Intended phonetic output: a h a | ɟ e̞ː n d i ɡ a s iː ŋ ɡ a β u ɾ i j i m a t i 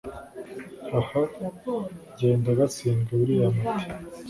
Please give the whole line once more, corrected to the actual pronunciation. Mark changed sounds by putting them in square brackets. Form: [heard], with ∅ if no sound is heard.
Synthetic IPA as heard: a h a | ɟ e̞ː n d [a] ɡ a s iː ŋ ɡ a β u ɾ i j [a] m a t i